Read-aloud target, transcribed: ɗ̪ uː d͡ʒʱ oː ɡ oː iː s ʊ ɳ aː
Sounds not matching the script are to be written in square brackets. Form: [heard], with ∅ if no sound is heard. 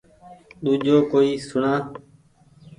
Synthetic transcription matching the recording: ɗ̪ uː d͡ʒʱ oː [k] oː iː s ʊ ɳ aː